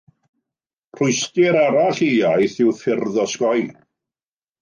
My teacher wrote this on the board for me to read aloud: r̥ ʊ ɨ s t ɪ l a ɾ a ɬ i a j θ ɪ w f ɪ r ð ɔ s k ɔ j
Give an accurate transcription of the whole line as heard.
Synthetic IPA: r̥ ʊ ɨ s t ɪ ɾ a ɾ a ɬ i a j θ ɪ w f ɪ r ð ɔ s k ɔ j